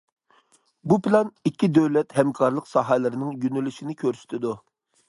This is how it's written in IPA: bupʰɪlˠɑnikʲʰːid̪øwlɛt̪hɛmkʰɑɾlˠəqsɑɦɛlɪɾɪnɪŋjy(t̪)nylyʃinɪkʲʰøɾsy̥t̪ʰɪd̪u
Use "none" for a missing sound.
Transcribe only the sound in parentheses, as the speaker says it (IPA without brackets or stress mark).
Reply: none